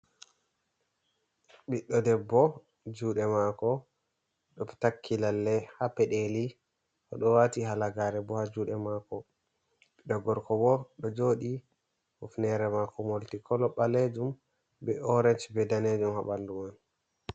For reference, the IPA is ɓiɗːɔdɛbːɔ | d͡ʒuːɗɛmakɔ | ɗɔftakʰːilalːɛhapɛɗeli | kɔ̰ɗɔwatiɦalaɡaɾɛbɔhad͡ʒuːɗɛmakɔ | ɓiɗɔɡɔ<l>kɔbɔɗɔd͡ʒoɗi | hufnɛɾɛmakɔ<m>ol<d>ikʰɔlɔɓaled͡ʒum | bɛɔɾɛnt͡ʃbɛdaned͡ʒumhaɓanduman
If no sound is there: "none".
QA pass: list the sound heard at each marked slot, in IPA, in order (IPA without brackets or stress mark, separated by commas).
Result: ɾ, m, t